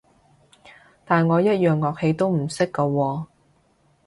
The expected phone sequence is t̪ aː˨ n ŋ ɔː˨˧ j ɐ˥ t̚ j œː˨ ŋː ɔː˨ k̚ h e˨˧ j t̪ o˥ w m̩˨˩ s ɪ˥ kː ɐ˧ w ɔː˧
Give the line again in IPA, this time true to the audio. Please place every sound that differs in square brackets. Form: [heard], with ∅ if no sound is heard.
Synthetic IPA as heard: t̪ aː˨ n ŋ ɔː˨˧ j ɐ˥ t̚ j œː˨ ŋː ɔː˨ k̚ h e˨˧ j t̪ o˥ w m̩˨˩ s ɪ˥ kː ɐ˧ w ɔː˧